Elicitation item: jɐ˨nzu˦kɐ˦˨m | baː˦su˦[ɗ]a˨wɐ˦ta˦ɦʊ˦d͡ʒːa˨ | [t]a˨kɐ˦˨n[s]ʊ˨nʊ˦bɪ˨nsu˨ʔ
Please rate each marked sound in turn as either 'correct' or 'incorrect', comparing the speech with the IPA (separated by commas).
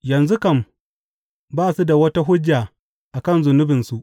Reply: incorrect, incorrect, incorrect